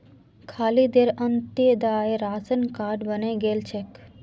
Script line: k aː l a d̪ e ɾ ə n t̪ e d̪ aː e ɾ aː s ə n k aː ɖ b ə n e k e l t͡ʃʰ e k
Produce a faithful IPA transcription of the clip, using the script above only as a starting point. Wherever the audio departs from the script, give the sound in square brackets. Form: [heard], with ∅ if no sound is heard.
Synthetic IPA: [kʰ] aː l [i] d̪ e ɾ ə n t̪ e d̪ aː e ɾ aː s ə n k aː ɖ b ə n e [ɡ] e l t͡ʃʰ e k